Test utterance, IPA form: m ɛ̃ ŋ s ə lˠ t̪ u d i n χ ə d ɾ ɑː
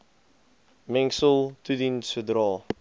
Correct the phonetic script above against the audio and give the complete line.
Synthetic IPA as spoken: m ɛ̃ ŋ s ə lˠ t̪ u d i n s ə d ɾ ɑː